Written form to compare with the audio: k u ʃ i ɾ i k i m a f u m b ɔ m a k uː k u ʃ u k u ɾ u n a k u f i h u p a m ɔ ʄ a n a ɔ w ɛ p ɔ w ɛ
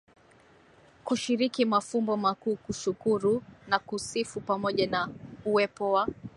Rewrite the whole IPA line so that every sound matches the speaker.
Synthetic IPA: k u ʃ i ɾ i k i m a f u m b ɔ m a k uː k u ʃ u k u ɾ u n a k u s i f u p a m ɔ ʄ a n a u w ɛ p ɔ w a